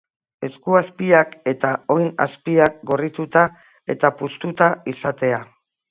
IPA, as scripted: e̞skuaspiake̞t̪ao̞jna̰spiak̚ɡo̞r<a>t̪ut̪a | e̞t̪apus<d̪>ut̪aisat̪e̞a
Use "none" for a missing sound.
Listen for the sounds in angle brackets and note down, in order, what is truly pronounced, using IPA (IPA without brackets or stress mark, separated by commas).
i, t̪